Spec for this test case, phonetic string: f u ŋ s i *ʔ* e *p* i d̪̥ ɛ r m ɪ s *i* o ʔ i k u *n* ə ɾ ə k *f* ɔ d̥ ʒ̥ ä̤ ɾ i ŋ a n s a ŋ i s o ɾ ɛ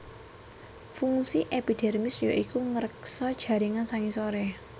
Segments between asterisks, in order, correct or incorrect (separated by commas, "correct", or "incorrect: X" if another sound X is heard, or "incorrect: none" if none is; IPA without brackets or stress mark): correct, correct, incorrect: j, incorrect: ŋ, incorrect: s